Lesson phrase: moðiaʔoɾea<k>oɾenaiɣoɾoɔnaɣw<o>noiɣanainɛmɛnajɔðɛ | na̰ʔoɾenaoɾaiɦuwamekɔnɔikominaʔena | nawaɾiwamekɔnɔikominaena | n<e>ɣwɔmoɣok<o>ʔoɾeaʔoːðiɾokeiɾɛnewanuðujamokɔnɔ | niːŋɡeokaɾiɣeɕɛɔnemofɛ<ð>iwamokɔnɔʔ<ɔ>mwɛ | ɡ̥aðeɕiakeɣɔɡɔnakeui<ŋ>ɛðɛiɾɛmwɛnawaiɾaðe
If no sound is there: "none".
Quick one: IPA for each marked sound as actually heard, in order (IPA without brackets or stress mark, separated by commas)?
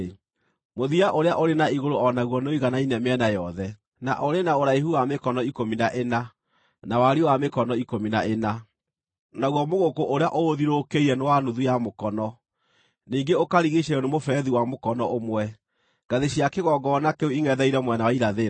ʔ, ɔ, a, o, ð, o, ŋ